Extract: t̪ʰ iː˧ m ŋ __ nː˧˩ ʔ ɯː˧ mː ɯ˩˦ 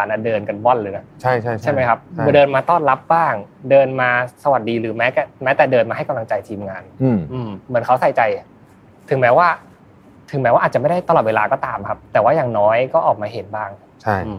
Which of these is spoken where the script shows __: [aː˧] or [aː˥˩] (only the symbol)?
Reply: aː˧